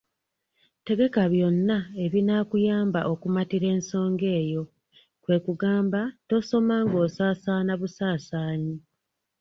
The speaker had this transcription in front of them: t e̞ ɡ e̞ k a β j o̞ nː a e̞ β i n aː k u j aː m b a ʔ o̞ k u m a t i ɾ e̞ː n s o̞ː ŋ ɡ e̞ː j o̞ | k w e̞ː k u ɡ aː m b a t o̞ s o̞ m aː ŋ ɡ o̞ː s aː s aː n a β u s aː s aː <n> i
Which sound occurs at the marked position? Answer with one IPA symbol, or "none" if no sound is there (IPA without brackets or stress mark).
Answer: ɲ